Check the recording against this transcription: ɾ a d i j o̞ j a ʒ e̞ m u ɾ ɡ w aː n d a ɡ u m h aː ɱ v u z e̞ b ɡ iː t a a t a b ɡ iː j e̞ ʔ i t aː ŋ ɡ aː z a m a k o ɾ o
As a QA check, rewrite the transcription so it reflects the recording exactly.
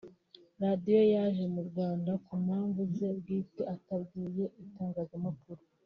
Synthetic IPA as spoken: ɾ a d i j o̞ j a ʒ e̞ m u ɾ ɡ w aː n d a k u m h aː ɱ v u z e̞ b ɡ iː t e a t a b ɡ iː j e̞ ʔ i t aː ŋ ɡ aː z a m a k u ɾ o